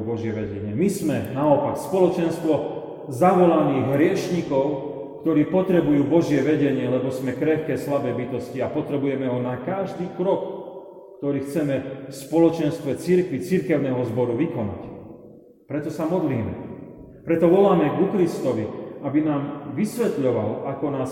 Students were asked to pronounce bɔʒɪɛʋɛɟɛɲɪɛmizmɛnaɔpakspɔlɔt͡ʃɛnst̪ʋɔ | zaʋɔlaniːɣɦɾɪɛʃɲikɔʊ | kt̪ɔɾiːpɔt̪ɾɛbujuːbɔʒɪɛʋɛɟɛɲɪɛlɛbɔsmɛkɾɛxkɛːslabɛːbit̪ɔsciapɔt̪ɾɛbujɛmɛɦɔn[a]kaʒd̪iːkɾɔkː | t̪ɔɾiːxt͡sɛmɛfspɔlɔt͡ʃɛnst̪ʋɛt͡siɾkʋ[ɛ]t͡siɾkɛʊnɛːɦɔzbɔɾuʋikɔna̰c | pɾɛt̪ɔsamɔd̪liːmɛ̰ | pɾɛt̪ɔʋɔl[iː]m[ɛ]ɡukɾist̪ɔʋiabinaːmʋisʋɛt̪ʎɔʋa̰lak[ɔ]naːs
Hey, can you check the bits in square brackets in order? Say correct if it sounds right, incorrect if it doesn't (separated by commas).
correct, incorrect, incorrect, correct, correct